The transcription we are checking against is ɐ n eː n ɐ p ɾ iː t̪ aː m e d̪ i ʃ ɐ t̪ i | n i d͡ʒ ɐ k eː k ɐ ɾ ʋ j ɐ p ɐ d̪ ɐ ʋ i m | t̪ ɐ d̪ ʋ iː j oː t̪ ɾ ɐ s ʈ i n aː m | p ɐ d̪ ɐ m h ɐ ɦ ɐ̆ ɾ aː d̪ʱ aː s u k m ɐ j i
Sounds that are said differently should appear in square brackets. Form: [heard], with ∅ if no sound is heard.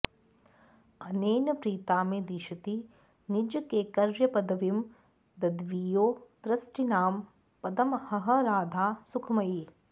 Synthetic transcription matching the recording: ɐ n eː n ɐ p ɾ iː t̪ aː m e d̪ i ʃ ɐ t̪ i | n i d͡ʒ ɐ k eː k ɐ ɾ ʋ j ɐ p ɐ d̪ ɐ ʋ i m | [d̪] ɐ d̪ ʋ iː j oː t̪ ɾ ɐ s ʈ i n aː m | p ɐ d̪ ɐ m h ɐ ɦ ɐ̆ ɾ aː d̪ʱ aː s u [kʰ] m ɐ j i

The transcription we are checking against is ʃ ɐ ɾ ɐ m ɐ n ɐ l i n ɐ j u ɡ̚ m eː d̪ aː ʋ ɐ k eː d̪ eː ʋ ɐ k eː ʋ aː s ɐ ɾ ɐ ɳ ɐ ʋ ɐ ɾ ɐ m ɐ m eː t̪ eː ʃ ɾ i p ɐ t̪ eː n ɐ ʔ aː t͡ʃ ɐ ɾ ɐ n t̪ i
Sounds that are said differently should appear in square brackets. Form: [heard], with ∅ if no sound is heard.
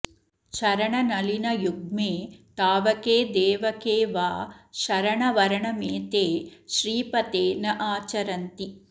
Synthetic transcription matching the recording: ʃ ɐ ɾ ɐ [ɳ] ɐ n ɐ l i n ɐ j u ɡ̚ m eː [t̪] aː ʋ ɐ k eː d̪ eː ʋ ɐ k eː ʋ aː [ʃ] ɐ ɾ ɐ ɳ ɐ ʋ ɐ ɾ ɐ [ɳ] ɐ m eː t̪ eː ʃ ɾ [iː] p ɐ t̪ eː n ɐ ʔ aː t͡ʃ ɐ ɾ ɐ n t̪ i

